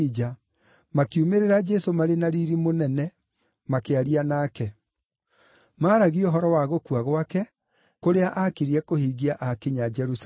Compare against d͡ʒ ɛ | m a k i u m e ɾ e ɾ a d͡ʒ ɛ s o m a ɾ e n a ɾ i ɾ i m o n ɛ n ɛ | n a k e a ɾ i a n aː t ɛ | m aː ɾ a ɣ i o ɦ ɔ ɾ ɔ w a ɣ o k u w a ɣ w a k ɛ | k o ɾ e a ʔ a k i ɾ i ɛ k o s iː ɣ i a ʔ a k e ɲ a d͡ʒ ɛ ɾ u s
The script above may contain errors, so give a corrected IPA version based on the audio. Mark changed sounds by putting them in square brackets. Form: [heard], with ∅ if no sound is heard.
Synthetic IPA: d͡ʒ [a] | m a k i u m e ɾ e ɾ a d͡ʒ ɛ s o m a ɾ e n a ɾ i ɾ i m o n ɛ n ɛ | [m] a k e a ɾ i a n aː [k] ɛ | m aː ɾ a ɣ i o ɦ ɔ ɾ ɔ w a ɣ o k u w a ɣ w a k ɛ | k o ɾ e a ʔ a k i ɾ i ɛ k o [h] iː ɣ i a ʔ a k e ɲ a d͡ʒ ɛ ɾ u s